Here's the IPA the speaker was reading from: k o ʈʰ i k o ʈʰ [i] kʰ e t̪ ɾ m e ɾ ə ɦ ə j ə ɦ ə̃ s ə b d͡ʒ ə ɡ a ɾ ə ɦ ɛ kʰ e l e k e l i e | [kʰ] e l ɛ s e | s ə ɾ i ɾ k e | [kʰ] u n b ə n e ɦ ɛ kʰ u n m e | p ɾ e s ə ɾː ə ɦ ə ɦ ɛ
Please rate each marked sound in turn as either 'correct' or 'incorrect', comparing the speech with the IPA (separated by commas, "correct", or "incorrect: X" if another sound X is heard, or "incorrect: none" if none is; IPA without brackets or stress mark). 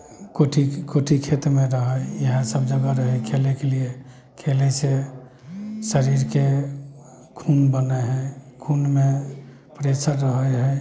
correct, correct, correct